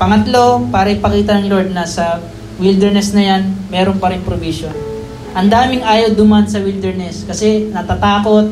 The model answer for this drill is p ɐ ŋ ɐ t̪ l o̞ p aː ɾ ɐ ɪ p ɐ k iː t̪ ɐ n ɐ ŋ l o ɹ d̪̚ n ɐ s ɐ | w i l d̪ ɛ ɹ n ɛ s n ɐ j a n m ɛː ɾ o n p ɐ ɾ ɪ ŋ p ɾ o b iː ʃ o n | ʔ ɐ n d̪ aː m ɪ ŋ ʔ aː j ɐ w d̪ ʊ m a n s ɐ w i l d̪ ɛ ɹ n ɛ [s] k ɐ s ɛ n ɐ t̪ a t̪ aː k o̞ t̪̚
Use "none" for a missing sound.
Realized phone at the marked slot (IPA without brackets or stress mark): s